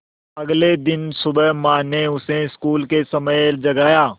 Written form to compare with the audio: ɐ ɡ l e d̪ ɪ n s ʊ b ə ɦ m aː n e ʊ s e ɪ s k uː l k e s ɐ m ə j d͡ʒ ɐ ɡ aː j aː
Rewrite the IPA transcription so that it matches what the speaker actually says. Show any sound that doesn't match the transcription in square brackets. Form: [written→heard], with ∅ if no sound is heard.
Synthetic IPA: ɐ ɡ l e d̪ ɪ n s ʊ b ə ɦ m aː n e ʊ s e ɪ s k uː l k e s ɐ m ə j d͡ʒ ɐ ɡ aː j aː

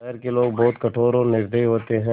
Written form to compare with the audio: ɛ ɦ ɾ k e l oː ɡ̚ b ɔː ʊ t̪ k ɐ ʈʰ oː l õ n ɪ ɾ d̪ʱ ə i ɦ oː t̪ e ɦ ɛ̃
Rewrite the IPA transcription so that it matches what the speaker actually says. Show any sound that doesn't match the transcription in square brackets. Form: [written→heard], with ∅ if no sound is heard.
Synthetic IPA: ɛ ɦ ɾ k e l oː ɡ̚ b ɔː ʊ t̪ k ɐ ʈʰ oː [l→ɾ] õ n ɪ ɾ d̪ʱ ə i ɦ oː t̪ e ɦ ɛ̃

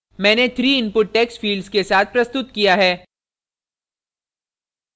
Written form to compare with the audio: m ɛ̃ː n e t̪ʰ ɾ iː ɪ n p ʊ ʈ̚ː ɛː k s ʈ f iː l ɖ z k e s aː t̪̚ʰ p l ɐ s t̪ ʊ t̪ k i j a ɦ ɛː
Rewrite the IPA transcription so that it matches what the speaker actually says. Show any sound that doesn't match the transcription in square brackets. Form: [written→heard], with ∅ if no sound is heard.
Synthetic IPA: m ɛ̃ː n e t̪ʰ ɾ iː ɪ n p ʊ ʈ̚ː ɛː k s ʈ f iː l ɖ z k e s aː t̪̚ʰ p [l→ɾ] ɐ s t̪ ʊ t̪ k i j a ɦ ɛː

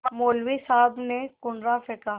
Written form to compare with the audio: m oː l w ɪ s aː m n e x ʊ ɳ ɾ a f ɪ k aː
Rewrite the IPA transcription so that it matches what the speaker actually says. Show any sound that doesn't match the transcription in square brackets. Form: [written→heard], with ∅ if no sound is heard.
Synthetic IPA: m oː l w [ɪ→i] s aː [m→b] n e [x→k] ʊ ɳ ɾ a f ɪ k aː

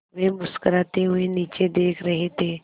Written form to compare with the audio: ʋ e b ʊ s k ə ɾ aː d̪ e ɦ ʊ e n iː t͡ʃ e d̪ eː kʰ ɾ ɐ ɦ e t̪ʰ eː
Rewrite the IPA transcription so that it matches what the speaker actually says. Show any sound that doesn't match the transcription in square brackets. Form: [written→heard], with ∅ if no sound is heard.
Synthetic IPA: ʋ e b ʊ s k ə ɾ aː [d̪→t̪] e ɦ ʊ e n iː t͡ʃ e d̪ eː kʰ ɾ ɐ ɦ e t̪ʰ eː

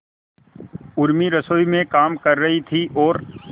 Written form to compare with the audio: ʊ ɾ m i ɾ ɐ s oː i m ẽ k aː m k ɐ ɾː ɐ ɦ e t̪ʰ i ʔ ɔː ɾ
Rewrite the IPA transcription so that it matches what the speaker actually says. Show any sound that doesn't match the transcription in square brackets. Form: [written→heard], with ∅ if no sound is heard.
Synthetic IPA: ʊ ɾ m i ɾ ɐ s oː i m ẽ k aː m k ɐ ɾː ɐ ɦ [e→i] t̪ʰ i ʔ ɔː ɾ

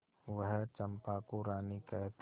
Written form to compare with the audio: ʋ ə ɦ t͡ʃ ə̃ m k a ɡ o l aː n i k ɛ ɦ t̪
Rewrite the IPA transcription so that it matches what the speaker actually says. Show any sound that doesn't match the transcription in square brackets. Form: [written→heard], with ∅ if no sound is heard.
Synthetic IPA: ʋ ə ɦ t͡ʃ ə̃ m [k→p] a [ɡ→k] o [l→ɾ] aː n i k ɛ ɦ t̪

